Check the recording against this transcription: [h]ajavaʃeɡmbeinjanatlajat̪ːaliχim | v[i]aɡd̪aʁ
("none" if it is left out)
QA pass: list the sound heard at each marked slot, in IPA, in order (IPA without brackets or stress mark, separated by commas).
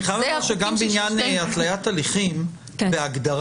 χ, e